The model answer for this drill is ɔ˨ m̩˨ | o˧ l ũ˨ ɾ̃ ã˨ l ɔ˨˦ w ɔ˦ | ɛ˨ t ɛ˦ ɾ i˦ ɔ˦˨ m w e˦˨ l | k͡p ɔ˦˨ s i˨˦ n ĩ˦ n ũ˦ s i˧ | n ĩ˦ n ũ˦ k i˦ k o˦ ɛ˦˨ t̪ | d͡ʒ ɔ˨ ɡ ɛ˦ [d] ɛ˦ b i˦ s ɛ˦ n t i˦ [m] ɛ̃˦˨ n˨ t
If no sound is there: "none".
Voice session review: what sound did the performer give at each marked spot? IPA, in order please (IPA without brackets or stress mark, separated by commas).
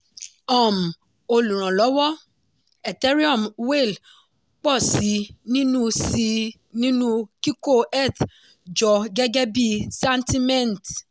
ɡ, m